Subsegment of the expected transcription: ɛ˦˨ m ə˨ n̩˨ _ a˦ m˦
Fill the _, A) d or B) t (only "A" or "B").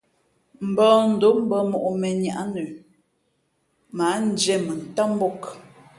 B